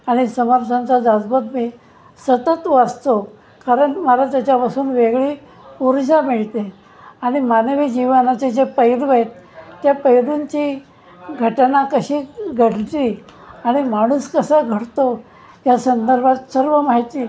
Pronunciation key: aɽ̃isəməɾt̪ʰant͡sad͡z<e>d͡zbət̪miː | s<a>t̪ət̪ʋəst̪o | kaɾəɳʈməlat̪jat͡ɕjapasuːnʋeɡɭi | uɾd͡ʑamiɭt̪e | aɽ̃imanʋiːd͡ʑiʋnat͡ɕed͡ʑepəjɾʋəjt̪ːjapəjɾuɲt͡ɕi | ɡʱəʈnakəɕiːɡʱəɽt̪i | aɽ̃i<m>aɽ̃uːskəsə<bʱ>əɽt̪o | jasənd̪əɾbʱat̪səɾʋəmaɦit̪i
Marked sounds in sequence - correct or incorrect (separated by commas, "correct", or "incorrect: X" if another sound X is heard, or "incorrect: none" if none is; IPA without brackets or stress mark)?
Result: incorrect: a, incorrect: ə, correct, incorrect: ɡʱ